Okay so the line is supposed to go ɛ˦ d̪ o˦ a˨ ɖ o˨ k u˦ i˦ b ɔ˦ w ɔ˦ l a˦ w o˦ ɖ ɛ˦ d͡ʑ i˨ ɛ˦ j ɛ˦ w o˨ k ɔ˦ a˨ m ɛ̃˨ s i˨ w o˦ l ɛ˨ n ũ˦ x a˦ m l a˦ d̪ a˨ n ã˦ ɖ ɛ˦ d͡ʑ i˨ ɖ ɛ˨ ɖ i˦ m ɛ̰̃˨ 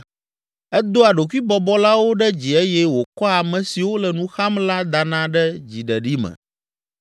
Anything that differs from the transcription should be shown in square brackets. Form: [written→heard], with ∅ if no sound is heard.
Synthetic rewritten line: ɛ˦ d̪ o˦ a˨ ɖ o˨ k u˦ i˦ b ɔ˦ [w→b] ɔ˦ l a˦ w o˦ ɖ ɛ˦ d͡ʑ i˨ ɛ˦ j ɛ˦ w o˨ k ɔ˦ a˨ m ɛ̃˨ s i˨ w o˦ l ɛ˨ n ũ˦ x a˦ m l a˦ d̪ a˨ n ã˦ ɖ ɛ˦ d͡ʑ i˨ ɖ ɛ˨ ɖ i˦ m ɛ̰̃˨